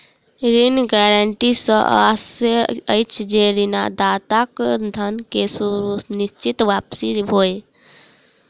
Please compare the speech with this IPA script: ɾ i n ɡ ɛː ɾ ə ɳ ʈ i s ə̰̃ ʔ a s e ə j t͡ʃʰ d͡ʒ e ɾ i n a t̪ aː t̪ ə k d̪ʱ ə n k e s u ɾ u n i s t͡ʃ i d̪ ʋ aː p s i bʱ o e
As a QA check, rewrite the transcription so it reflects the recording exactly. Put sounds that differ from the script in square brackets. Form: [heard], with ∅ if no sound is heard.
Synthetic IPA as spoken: ɾ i n ɡ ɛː ɾ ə ɳ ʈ i s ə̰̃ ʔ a s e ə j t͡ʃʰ d͡ʒ e ɾ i n a [d̪] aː t̪ [a] k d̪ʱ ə n k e s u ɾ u n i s t͡ʃ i [t̪] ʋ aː p s i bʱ o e